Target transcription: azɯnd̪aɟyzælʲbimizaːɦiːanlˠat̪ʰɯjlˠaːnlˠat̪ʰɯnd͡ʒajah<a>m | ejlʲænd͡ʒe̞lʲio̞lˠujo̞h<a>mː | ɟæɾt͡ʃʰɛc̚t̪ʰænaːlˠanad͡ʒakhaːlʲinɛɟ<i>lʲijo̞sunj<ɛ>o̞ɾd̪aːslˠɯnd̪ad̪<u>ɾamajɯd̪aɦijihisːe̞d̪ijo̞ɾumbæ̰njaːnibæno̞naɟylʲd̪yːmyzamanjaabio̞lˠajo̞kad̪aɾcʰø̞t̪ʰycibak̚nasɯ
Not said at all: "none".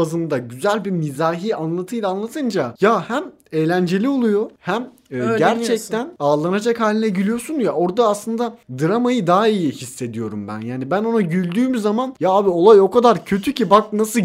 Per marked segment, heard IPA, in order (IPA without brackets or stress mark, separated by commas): æ, æ, i, a, ɯ